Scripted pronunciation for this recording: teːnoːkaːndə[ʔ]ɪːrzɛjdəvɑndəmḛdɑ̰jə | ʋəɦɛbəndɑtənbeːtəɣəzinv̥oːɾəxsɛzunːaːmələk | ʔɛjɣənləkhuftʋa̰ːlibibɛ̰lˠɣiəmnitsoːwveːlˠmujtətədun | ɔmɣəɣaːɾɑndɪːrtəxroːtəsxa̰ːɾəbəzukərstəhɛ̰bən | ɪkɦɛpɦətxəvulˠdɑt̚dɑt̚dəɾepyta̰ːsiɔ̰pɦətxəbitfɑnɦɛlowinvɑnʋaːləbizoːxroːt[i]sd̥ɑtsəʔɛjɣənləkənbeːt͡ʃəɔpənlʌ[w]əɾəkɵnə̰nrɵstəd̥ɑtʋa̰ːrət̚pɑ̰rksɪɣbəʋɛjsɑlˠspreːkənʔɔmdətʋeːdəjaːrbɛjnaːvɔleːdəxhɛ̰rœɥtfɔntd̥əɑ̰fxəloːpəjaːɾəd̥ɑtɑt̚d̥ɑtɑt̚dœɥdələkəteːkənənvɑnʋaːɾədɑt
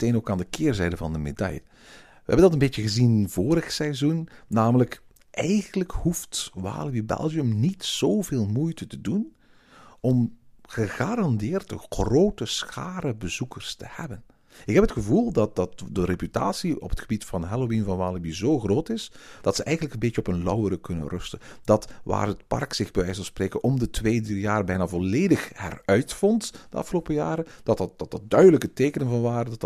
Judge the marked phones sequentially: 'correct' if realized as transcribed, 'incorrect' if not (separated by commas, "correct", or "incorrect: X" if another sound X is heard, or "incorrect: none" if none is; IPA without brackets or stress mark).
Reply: incorrect: k, incorrect: ɪ, correct